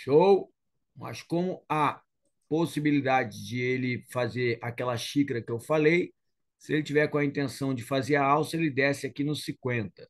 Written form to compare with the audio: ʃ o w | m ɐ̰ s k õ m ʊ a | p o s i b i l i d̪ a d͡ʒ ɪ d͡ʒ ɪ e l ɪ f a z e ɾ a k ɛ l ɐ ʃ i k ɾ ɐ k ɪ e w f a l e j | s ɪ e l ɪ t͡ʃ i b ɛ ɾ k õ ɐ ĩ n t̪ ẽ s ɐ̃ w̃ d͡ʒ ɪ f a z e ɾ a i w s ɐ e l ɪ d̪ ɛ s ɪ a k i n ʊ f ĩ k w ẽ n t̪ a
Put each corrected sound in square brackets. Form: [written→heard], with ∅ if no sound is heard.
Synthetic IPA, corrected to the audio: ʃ o w | m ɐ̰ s k õ m ʊ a | p o s i b i l i d̪ a d͡ʒ ɪ d͡ʒ ɪ e l ɪ f a z e ɾ a k ɛ l ɐ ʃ i k ɾ ɐ k ɪ e w f a l e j | s ɪ e l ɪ t͡ʃ i [b→v] ɛ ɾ k õ ɐ ĩ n t̪ ẽ s ɐ̃ w̃ d͡ʒ ɪ f a z e ɾ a [i→a] w s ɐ e l ɪ d̪ ɛ s ɪ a k i n ʊ [f→s] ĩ k w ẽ n t̪ [a→ɐ]